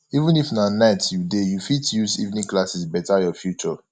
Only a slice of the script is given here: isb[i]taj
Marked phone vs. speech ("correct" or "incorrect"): incorrect